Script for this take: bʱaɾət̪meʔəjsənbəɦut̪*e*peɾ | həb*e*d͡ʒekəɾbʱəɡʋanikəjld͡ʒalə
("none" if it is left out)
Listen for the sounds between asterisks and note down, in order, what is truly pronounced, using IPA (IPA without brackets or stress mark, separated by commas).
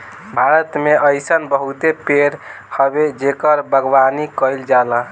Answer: e, e